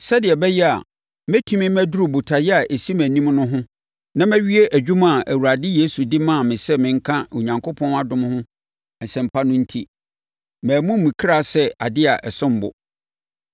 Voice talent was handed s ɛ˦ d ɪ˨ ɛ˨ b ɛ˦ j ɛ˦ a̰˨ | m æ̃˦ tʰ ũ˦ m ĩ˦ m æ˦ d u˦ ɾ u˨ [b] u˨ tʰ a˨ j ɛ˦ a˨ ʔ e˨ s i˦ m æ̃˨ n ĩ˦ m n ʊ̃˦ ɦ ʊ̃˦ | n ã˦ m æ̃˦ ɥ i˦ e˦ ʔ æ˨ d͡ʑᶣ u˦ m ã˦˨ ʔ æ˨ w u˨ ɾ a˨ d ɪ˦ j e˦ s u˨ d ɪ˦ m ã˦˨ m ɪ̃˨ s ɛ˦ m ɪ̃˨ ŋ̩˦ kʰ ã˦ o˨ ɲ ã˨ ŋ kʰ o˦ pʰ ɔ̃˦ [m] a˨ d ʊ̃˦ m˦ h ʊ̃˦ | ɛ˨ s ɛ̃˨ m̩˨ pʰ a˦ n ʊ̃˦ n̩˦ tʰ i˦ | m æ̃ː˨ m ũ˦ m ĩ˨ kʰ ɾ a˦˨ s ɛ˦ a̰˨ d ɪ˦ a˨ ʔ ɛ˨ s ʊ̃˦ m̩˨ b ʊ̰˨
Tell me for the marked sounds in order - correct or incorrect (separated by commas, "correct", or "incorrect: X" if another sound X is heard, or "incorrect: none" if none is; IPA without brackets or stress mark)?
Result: correct, incorrect: n